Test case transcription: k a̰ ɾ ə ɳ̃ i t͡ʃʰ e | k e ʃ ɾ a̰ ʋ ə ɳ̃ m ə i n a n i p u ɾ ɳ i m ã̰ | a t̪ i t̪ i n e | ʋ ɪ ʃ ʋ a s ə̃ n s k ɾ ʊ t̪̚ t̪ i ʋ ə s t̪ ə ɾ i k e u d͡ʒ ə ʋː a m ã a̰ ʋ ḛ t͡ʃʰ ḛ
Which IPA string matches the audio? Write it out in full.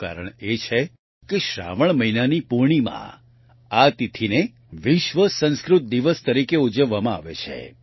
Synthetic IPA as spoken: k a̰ ɾ ə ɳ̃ e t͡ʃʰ e | k e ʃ ɾ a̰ ʋ ə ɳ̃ m ə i n a n i p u ɾ ɳ i m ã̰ | a t̪ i t̪ʰ i n e | ʋ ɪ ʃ ʋ ə s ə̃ n s k ɾ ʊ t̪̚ d̪ i ʋ ə s t̪ ə ɾ i k e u d͡ʒ ə ʋː a m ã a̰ ʋ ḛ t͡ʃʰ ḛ